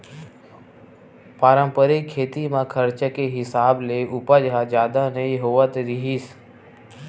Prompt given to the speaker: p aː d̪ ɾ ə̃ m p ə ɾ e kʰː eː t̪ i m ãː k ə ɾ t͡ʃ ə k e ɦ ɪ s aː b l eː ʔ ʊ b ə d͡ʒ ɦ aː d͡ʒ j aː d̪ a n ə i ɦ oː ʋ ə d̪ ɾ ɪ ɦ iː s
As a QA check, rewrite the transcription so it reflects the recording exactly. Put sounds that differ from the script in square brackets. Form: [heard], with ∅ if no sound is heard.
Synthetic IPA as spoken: p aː [∅] ɾ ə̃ m p ə ɾ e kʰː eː t̪ i m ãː [kʰ] ə ɾ t͡ʃ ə k e ɦ ɪ s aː b l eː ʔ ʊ [p] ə d͡ʒ ɦ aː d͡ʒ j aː d̪ a n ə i ɦ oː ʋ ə [t̪] ɾ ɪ ɦ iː s